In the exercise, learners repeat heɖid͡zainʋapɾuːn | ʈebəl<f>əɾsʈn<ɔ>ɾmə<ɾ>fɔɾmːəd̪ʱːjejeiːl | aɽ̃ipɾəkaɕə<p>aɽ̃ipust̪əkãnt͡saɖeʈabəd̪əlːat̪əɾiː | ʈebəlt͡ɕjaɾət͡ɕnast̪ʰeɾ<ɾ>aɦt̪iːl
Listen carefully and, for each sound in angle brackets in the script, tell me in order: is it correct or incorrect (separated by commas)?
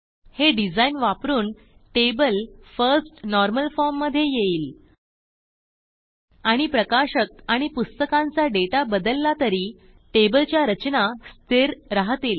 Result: correct, correct, incorrect, incorrect, correct